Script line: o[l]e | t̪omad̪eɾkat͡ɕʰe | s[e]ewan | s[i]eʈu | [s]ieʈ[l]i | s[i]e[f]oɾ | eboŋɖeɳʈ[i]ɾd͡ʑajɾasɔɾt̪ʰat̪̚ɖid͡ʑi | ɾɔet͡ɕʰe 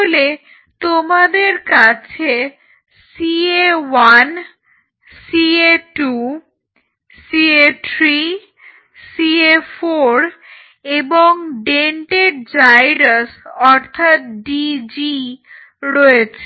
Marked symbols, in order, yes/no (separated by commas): yes, no, yes, yes, no, yes, yes, no